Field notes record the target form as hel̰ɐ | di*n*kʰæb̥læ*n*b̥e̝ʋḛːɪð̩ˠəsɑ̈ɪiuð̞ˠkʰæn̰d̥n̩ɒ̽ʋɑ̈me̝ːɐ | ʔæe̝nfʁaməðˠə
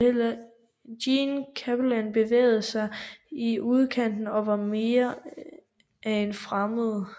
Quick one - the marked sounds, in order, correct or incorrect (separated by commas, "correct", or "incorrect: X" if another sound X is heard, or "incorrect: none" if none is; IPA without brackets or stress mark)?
correct, correct